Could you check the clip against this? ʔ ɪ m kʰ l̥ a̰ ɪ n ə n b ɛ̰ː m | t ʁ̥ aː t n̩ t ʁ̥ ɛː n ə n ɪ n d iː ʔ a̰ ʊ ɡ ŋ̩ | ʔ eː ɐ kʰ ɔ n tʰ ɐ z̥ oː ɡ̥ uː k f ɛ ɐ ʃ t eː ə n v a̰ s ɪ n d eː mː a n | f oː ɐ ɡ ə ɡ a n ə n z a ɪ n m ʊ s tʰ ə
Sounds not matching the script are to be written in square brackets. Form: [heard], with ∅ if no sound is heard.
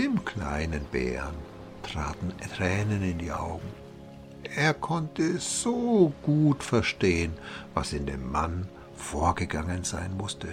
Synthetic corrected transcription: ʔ ɪ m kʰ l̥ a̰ ɪ n ə n b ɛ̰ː [n] | t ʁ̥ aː t n̩ t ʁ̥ ɛː n ə n ɪ n d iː ʔ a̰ ʊ ɡ ŋ̩ | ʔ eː ɐ kʰ ɔ n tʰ [ə] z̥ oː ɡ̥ uː [t] f ɛ ɐ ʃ t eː ə n v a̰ s ɪ n d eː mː a n | f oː ɐ ɡ ə ɡ a [ŋ] ə n z a ɪ n m ʊ s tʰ ə